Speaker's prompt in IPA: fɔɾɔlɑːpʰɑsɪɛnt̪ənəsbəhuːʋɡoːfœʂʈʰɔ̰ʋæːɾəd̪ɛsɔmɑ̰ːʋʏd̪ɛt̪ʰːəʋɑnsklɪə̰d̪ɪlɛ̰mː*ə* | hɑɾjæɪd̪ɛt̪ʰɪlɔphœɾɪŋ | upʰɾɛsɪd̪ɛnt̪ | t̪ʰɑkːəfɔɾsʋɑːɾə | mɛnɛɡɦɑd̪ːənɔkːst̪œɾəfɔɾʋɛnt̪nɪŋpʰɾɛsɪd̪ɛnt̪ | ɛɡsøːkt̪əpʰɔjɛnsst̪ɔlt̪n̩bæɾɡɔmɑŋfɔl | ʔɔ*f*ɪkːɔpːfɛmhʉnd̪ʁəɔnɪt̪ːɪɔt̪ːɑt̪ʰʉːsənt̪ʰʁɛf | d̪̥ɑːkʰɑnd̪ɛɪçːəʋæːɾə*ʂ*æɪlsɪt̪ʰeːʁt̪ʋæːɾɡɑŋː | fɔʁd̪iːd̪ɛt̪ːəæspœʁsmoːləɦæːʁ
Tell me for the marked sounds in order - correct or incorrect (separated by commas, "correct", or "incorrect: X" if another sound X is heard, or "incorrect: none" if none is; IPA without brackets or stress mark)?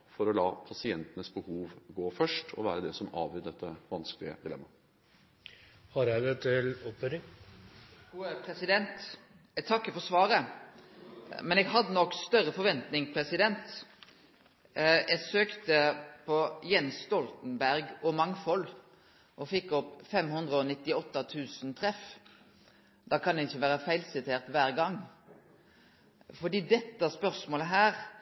incorrect: ɑ, correct, incorrect: f